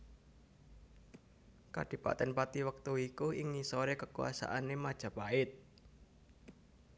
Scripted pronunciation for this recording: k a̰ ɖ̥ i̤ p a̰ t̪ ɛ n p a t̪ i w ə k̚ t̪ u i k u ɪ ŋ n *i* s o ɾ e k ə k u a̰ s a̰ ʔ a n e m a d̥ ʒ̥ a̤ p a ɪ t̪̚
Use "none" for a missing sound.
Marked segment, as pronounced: i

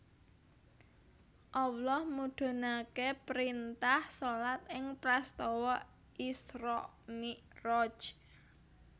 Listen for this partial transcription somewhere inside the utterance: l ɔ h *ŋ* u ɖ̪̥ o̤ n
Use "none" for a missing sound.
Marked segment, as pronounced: m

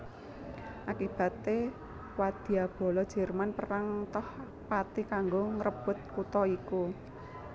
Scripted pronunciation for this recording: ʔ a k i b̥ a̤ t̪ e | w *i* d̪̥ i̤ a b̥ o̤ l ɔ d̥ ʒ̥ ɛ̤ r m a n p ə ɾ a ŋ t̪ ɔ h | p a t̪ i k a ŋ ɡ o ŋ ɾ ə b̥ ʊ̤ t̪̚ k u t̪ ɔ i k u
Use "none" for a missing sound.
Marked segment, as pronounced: a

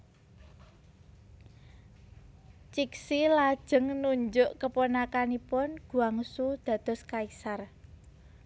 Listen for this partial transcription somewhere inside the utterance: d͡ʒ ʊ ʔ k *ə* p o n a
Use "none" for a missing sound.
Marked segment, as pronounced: ə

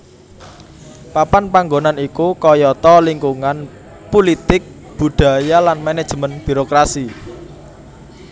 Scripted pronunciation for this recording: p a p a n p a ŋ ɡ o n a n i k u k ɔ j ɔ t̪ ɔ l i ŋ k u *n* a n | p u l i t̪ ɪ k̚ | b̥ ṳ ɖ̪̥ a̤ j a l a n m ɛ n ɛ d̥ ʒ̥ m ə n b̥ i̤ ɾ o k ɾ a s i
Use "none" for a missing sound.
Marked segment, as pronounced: ŋ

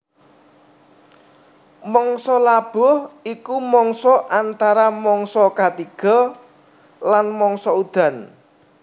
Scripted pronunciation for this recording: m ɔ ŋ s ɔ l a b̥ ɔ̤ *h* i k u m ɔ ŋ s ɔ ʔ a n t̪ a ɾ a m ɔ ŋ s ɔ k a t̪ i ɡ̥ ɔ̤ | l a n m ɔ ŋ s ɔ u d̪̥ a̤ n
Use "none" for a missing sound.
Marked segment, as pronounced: h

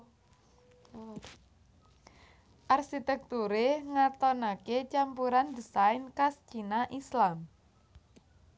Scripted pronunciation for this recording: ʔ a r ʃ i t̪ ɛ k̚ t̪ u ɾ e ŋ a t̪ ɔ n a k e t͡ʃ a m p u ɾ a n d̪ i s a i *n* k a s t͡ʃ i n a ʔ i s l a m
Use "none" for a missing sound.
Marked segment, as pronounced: n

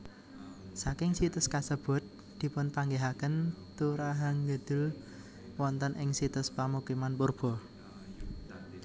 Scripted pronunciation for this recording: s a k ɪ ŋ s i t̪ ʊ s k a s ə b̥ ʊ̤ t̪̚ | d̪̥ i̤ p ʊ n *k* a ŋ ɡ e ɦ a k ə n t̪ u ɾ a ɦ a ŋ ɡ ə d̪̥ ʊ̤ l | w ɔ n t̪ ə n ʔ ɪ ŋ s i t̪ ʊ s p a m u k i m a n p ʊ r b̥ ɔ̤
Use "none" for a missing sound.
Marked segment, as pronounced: p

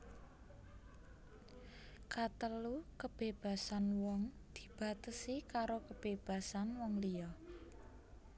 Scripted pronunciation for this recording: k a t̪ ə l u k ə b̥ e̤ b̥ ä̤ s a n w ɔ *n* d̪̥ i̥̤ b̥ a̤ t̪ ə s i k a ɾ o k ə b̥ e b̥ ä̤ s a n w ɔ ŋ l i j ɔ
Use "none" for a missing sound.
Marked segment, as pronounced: ŋ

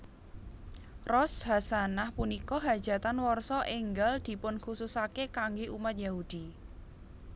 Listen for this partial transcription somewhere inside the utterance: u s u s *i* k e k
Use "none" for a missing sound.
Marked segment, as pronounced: a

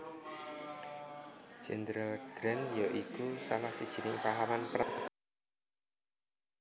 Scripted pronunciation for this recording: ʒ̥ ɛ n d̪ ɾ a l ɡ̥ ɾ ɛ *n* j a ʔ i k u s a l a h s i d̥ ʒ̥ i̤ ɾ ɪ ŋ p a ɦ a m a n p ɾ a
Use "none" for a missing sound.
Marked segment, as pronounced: n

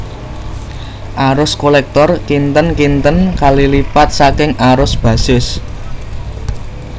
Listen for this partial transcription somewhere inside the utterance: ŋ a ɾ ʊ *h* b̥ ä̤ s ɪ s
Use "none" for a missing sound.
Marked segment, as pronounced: s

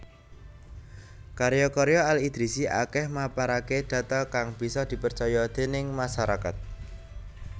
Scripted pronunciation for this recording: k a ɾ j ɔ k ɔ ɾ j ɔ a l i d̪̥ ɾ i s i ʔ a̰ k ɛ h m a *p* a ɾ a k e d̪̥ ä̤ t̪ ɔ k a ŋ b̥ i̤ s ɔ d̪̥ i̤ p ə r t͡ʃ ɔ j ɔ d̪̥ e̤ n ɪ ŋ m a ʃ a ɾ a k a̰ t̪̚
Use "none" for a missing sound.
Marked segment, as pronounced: p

